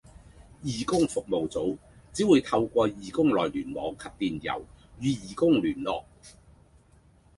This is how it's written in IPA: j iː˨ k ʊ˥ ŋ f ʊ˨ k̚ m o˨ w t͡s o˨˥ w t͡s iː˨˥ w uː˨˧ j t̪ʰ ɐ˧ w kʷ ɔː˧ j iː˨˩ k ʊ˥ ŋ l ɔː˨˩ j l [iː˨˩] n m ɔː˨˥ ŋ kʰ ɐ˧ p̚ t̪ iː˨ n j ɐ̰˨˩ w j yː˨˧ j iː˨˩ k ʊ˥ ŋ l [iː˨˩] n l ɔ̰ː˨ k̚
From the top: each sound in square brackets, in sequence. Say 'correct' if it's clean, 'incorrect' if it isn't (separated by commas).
incorrect, incorrect